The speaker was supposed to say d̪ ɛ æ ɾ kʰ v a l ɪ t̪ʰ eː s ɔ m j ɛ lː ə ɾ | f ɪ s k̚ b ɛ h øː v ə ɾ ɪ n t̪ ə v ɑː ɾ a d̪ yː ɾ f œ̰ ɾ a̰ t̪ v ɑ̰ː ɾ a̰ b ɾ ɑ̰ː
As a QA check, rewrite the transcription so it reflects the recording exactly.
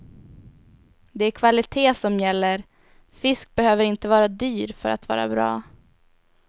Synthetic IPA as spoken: d̪ ɛ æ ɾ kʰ v a l ɪ t̪ʰ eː s ɔ m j ɛ lː ə ɾ | f ɪ s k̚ b ɛ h øː v ə ɾ ɪ n t̪ ə v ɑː ɾ a d̪ yː ɾ f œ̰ ɾ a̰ t̪ v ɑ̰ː ɾ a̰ b ɾ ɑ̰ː